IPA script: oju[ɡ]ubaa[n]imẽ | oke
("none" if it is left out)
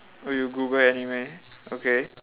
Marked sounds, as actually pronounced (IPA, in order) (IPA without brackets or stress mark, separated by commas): ɡ, n